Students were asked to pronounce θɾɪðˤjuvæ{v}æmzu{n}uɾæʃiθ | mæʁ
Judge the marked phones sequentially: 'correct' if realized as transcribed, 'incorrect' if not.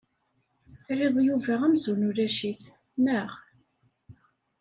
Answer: incorrect, correct

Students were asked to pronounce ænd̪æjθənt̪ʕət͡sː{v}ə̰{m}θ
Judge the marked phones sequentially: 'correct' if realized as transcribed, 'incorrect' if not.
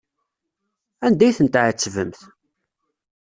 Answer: correct, correct

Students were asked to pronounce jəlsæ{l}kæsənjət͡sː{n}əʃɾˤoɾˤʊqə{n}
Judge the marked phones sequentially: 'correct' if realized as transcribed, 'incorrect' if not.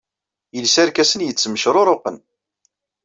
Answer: incorrect, incorrect, correct

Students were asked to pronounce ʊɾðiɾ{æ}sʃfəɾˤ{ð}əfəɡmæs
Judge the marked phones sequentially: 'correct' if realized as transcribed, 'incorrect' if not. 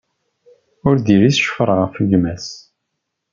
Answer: incorrect, incorrect

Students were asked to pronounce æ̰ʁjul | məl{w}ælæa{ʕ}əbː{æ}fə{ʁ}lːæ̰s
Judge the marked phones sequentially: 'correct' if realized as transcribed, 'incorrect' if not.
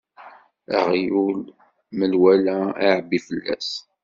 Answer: correct, correct, incorrect, incorrect

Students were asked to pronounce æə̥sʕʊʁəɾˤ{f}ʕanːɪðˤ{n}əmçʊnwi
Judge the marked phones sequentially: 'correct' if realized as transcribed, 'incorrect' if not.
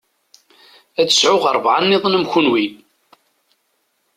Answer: incorrect, correct

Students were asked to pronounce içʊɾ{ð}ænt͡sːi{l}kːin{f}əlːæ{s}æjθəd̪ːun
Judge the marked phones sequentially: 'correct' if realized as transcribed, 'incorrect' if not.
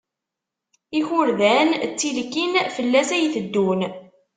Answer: correct, correct, correct, correct

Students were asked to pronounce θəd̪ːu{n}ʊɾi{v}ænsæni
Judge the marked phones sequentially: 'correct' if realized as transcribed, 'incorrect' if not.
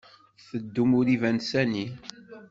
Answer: incorrect, correct

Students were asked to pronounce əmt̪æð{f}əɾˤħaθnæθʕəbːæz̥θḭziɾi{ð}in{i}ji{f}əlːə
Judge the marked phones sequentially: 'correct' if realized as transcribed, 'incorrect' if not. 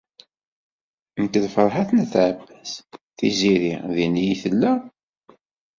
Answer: correct, correct, correct, incorrect

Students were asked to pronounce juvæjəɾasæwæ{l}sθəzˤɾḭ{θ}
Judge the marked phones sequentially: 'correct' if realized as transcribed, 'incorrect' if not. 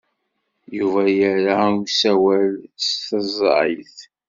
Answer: correct, correct

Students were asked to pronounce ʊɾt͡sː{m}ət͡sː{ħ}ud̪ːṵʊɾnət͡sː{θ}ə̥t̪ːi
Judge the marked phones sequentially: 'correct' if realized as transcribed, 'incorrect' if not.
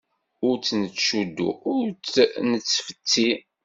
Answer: incorrect, incorrect, incorrect

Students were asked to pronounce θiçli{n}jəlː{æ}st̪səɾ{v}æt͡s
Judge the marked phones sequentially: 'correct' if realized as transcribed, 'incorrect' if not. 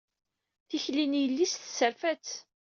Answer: correct, incorrect, incorrect

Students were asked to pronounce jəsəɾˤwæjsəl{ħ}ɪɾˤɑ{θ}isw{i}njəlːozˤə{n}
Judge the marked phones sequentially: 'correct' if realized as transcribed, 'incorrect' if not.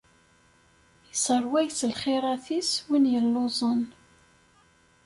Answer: incorrect, correct, correct, correct

